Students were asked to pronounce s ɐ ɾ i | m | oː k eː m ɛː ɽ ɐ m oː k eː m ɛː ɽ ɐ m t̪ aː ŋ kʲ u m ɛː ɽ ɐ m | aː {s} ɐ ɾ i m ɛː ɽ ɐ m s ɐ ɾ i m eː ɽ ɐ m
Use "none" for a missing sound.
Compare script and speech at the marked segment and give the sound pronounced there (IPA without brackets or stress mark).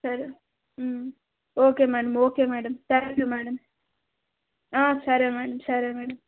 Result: s